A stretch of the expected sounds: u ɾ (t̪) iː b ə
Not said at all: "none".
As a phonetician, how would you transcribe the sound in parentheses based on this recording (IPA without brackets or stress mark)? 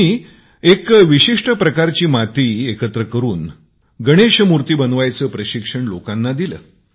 t̪